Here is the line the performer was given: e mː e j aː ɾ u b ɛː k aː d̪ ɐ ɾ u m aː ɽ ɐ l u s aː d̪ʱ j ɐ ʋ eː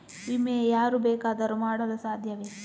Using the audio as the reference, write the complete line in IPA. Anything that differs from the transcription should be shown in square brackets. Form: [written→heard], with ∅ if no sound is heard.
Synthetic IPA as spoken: [e→i] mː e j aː ɾ u b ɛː k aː d̪ ɐ ɾ u m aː ɽ ɐ l u s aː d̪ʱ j ɐ ʋ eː